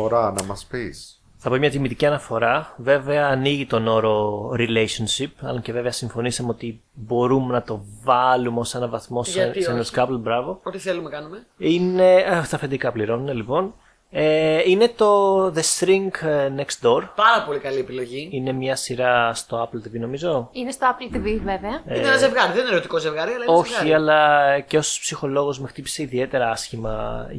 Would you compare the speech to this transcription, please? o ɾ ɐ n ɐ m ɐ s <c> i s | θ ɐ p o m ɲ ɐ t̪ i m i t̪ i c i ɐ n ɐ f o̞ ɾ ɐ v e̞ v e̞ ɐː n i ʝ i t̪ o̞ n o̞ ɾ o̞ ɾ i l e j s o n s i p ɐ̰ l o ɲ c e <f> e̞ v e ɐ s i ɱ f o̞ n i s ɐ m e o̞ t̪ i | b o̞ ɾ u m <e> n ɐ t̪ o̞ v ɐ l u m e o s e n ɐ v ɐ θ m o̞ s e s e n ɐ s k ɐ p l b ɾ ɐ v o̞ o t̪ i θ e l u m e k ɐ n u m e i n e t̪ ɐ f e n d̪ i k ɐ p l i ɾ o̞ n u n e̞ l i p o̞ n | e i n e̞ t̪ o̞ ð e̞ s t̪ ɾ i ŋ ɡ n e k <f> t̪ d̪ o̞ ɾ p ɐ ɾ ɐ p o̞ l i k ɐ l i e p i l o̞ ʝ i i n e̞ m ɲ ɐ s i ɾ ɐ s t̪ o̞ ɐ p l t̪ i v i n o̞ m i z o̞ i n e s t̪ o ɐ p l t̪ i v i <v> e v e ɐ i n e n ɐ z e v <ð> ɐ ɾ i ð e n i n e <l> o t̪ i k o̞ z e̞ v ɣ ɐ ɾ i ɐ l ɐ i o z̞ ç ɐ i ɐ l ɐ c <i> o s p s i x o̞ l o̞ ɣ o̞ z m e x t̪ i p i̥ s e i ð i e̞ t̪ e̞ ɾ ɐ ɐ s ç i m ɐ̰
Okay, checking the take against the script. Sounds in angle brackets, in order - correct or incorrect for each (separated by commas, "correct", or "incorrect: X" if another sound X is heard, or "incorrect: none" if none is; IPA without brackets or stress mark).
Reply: incorrect: p, incorrect: v, correct, incorrect: s, correct, incorrect: ɣ, incorrect: ɾ, incorrect: e